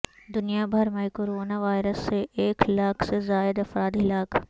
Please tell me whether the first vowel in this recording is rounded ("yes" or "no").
yes